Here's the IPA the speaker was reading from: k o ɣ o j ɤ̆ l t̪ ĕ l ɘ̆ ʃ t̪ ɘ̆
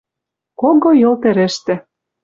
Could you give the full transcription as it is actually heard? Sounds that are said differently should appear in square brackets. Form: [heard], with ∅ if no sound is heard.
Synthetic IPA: k o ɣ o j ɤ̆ l t̪ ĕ [ɾ] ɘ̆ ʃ t̪ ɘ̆